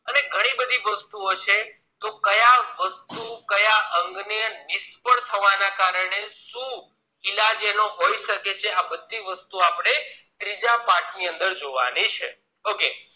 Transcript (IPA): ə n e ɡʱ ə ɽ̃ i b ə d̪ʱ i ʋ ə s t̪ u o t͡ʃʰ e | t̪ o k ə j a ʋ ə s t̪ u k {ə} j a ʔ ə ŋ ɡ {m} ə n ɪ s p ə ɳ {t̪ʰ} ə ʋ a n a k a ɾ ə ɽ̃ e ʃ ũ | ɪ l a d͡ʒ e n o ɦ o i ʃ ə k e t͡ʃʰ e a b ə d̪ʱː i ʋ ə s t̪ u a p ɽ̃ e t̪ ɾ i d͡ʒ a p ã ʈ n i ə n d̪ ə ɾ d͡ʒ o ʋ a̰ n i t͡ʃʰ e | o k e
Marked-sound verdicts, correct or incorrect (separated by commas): correct, incorrect, correct